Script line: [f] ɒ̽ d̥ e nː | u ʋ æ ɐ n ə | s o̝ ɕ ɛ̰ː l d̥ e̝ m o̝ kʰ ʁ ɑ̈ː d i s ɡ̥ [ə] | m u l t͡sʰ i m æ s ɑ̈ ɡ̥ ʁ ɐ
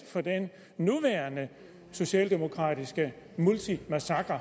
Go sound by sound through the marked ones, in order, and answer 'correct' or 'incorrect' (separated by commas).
correct, correct